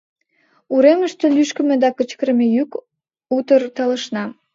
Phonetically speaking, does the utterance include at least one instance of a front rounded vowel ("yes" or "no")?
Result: yes